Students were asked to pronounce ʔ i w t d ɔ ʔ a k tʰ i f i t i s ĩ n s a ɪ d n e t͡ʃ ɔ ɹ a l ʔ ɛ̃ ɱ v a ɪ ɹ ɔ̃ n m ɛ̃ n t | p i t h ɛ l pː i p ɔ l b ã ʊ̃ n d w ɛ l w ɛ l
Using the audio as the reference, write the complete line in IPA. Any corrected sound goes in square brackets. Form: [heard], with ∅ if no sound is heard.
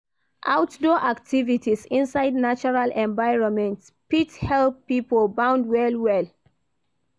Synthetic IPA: ʔ [a] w t d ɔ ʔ a k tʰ i [v] i t i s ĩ n s a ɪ d n [a] t͡ʃ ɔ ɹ a l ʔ ɛ̃ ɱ v a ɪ ɹ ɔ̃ n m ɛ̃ n t | p i t h ɛ l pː i p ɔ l b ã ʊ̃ n d w ɛ l w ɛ l